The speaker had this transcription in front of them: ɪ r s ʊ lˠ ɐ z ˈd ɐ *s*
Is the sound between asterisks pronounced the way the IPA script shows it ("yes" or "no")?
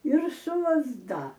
no